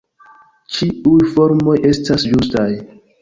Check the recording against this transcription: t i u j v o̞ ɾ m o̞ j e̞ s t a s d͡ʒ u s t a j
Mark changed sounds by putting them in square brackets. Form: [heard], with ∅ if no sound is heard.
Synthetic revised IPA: [t͡ʃ] i u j [f] o̞ ɾ m o̞ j e̞ s t a s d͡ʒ u s t a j